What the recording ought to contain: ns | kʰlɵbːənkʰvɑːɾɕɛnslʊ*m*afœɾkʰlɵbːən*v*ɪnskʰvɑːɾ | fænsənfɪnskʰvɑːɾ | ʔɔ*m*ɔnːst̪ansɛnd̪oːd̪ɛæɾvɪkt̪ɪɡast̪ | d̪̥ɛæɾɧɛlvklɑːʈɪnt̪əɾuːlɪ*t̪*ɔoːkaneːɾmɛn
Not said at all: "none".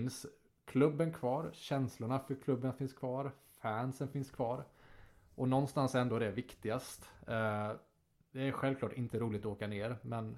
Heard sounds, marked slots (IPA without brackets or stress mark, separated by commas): ɳ, f, n, t̪